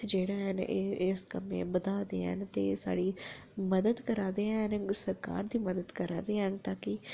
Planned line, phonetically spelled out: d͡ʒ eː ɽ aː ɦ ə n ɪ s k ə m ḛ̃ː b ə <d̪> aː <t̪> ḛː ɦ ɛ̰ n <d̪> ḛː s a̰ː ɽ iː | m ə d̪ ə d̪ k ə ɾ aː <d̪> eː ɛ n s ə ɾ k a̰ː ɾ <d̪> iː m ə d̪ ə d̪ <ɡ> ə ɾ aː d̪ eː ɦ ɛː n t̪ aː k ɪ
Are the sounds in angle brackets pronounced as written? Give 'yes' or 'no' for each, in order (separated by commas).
yes, no, no, yes, yes, no